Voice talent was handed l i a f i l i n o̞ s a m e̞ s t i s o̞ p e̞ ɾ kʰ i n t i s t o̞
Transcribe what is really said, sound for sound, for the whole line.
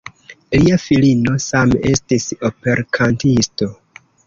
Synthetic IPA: l i a f i l i n o̞ s a m e̞ s t i s o̞ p e̞ ɾ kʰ a n t i s t o̞